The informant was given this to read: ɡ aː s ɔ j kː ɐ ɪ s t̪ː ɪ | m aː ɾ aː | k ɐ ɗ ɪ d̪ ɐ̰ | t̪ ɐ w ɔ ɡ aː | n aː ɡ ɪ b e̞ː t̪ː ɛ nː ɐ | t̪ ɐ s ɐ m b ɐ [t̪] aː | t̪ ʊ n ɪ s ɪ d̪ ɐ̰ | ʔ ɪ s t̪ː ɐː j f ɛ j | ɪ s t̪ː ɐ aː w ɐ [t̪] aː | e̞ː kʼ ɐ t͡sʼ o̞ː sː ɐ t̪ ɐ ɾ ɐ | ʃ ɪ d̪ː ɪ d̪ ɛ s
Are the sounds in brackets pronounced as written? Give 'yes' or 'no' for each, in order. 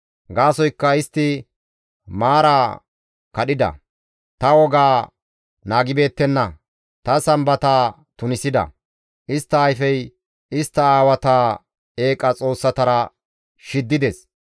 yes, yes

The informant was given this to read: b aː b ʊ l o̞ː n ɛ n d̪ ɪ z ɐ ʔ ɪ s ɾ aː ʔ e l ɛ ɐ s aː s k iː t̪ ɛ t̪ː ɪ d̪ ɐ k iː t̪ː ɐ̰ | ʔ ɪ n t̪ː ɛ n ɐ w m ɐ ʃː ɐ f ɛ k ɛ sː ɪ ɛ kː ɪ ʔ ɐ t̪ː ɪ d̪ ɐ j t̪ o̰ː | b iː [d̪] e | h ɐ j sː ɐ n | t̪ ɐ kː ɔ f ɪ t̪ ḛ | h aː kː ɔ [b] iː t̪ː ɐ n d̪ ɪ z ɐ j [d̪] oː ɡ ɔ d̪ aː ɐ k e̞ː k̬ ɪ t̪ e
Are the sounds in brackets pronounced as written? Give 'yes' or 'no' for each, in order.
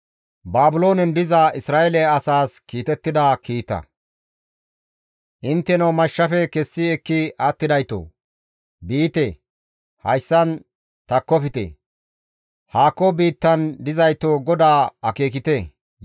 no, yes, no

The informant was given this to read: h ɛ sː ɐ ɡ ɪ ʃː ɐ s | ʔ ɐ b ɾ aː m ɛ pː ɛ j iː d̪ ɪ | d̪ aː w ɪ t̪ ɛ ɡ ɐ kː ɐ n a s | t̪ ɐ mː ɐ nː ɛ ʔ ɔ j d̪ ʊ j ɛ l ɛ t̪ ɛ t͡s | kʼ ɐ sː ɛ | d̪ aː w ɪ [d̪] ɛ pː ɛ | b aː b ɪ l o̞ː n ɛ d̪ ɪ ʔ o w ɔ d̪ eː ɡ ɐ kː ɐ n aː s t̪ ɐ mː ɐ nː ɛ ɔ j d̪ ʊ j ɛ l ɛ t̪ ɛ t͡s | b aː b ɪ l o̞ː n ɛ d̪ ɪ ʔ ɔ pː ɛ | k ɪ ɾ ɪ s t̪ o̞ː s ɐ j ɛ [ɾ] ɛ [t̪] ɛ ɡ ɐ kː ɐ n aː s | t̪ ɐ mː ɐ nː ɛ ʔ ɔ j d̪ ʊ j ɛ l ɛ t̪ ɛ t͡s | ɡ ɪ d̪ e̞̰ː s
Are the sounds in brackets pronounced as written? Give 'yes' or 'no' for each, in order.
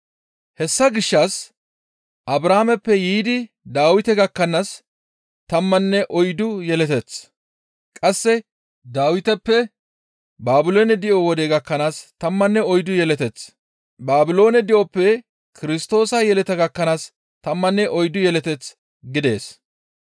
no, no, yes

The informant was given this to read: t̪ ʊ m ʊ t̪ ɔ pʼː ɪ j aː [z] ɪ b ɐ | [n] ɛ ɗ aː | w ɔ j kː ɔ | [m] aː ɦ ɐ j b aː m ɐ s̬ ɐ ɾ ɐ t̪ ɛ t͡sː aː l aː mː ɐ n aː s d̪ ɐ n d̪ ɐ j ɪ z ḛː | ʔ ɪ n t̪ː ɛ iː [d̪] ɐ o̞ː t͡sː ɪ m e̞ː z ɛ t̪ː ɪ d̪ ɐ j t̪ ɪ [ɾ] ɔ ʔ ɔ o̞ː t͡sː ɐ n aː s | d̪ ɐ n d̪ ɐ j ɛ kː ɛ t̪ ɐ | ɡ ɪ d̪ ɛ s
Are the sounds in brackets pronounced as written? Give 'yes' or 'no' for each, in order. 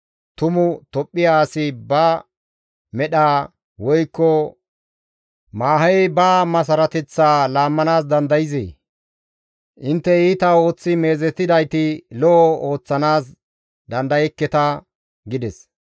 no, no, yes, no, no

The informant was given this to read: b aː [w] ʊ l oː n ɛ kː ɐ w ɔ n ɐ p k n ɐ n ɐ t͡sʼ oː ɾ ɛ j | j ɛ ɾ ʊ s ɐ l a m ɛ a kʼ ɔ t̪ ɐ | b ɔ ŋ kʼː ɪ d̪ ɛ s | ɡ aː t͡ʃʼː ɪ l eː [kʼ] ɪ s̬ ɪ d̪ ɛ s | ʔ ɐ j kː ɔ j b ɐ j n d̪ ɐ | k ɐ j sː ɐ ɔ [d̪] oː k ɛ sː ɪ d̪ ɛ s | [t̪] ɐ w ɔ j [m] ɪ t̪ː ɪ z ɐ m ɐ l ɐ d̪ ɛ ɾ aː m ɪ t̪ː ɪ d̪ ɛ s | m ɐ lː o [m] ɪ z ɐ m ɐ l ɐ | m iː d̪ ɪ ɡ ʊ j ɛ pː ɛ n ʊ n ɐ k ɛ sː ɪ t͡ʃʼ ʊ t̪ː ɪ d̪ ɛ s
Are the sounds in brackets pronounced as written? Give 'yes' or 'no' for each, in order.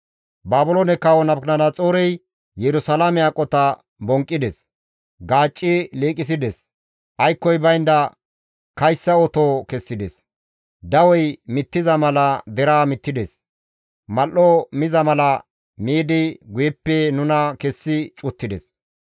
no, yes, no, no, yes, yes

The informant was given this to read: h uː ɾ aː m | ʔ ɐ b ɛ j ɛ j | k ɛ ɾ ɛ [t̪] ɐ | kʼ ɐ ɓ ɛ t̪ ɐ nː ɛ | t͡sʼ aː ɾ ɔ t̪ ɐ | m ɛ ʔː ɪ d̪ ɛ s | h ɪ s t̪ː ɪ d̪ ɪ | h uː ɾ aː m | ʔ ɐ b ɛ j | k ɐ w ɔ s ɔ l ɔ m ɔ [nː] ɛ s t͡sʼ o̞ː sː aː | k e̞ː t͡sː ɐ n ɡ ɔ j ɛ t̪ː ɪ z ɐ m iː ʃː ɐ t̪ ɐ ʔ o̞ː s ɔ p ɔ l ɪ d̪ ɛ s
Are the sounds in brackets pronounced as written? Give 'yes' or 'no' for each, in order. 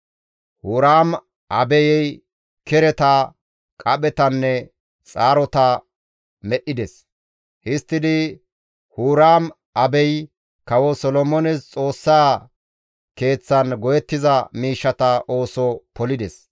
yes, no

